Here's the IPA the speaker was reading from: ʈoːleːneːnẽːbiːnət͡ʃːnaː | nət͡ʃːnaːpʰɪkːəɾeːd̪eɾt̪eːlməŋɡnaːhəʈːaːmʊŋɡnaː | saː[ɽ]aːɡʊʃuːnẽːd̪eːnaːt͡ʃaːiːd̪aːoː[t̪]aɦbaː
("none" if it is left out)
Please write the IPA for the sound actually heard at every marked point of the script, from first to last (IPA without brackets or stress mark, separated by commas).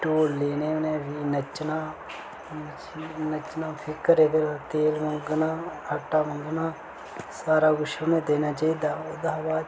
ɾ, d̪